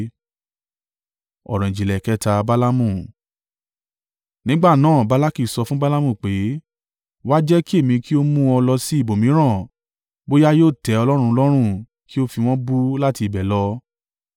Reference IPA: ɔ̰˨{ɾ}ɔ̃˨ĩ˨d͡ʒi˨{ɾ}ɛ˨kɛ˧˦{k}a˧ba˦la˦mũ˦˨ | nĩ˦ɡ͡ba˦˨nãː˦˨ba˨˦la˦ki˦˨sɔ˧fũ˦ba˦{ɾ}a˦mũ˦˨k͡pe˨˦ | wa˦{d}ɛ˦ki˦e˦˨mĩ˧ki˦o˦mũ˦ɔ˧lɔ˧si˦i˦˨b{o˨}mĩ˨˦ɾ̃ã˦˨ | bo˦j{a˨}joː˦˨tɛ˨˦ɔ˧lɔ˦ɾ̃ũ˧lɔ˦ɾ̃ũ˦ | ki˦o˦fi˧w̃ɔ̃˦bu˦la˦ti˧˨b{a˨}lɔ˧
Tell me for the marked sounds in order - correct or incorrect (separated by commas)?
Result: correct, incorrect, incorrect, incorrect, incorrect, correct, incorrect, incorrect